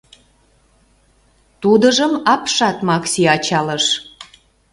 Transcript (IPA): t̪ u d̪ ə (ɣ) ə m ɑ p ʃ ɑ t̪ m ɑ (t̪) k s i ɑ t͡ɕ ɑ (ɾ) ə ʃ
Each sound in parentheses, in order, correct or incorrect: incorrect: ʒ, incorrect: none, incorrect: l

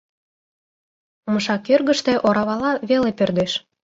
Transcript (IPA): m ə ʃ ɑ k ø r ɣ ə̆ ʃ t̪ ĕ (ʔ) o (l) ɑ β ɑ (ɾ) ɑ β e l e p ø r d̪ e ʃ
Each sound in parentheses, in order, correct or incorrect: correct, incorrect: ɾ, incorrect: l

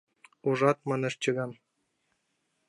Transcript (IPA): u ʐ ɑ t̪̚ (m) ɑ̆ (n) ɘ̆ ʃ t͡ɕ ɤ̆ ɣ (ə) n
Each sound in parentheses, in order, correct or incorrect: correct, correct, incorrect: ɑ

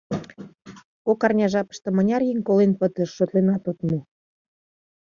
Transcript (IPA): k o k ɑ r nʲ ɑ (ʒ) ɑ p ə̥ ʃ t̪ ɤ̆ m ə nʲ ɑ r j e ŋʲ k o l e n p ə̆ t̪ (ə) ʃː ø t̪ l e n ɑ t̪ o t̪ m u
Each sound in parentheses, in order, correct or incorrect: correct, correct

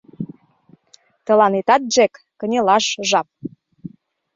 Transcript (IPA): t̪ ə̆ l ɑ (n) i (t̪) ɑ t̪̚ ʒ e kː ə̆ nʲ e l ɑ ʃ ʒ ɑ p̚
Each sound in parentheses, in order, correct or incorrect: correct, correct

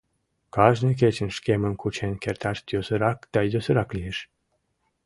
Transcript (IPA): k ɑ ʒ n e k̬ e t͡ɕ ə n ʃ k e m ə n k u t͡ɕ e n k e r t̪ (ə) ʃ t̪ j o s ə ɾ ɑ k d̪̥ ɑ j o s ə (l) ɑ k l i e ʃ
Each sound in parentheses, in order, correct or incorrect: incorrect: ɑ, incorrect: ɾ

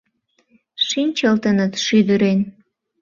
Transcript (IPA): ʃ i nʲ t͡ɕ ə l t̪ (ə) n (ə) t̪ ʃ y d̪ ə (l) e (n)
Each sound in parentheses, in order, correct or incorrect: correct, correct, incorrect: ɾ, correct

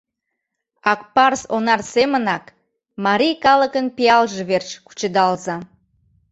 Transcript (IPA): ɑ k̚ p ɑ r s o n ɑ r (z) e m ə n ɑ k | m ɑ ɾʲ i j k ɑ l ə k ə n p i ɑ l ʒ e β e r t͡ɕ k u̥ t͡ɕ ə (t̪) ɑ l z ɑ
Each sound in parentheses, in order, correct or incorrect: incorrect: s, incorrect: d̪

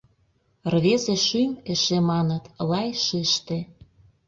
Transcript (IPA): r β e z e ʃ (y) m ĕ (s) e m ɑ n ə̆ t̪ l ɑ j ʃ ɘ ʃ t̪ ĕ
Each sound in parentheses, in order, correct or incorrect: correct, incorrect: ʃ

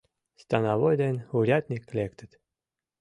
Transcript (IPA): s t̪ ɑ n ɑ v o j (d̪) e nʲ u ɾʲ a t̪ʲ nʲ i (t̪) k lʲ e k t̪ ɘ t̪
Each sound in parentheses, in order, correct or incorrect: correct, incorrect: none

